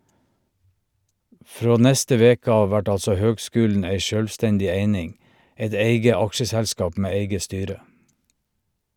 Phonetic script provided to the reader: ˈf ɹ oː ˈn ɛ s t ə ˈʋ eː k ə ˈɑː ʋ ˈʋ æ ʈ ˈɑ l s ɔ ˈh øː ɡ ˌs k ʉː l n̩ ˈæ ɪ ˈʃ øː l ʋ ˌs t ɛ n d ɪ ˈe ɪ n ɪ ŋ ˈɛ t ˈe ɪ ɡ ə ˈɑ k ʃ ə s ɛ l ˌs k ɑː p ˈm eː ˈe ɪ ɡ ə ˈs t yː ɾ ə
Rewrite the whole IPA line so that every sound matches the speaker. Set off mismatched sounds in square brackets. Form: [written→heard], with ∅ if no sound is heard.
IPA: ˈf ɹ oː ˈn ɛ s t ə ˈʋ eː k ə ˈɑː ʋ ˈʋ æ ʈ ˈɑ l s ɔ ˈh øː ɡ ˌs k ʉː l n̩ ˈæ ɪ ˈʃ øː l ʋ ˌs t ɛ n d ɪ ˈe ɪ n ɪ ŋ ˈɛ t ˈe ɪ ɡ ə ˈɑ k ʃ ə s ɛ l ˌs k ɑː p ˈm eː ˈe ɪ ɡ ə ˈs t yː ɾ ə